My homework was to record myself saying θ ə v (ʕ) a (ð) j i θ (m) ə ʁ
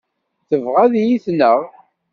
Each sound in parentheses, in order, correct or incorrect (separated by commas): incorrect, correct, incorrect